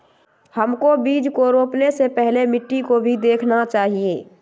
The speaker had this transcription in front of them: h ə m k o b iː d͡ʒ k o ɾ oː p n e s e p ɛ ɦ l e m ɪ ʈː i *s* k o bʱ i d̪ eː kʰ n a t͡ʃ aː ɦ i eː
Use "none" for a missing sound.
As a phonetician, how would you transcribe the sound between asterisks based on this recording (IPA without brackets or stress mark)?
none